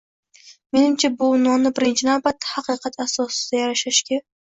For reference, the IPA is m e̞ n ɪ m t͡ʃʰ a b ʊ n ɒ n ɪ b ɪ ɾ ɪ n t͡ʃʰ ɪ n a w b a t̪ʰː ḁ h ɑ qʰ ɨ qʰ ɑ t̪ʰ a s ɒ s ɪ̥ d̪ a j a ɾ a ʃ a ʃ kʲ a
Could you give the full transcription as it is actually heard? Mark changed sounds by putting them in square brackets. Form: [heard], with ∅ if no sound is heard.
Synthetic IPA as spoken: m e̞ n ɪ m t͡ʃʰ a b ʊ n ɒ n ɪ b ɪ ɾ ɪ n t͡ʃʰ ɪ n a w b a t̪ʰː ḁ h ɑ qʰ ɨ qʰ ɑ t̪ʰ a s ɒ s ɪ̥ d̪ a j a ɾ a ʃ a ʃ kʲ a